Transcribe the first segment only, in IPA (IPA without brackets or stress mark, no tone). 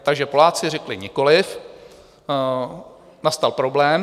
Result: t̪